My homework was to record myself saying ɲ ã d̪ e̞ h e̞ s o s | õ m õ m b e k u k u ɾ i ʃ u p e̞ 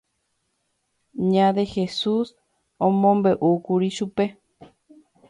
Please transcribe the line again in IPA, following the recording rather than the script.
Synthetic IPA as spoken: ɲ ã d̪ e̞ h e̞ s u s | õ m õ m b e ʔ u k u ɾ i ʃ u p e̞